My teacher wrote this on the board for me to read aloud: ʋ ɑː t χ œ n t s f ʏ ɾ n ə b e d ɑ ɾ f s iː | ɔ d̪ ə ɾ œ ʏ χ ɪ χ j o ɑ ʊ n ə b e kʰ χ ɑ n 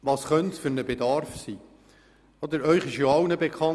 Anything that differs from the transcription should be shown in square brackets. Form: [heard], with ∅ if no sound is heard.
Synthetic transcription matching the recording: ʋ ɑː [s] χ œ n t s f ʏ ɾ n ə b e d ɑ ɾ f s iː | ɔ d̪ ə ɾ œ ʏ χ ɪ [ʃ] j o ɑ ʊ n ə b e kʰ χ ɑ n